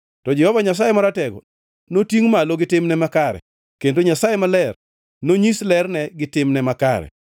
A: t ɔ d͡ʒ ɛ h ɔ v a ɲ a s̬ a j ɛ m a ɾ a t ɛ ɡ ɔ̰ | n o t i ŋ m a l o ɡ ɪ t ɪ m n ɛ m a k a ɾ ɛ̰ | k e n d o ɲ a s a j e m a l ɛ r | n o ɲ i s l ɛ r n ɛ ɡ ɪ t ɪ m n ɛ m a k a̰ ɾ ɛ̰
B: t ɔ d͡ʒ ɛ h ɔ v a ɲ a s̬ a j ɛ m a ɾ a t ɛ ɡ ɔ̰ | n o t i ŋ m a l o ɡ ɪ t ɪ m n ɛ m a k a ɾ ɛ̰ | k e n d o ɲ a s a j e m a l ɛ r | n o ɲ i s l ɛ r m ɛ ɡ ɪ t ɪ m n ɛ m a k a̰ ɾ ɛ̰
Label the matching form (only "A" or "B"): A